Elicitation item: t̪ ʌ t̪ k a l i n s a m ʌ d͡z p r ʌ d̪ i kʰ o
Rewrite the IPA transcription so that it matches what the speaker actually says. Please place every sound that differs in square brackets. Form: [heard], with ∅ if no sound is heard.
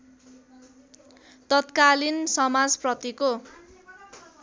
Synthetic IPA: t̪ ʌ t̪ k a l i n s [ʌ] m [a] d͡z p r ʌ [t̪] i [k] o